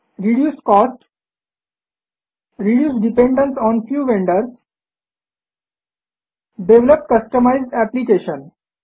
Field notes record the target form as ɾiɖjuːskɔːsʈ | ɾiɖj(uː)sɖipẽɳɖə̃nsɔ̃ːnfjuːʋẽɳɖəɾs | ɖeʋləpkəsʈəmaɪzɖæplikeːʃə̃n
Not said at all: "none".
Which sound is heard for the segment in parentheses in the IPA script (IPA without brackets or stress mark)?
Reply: uː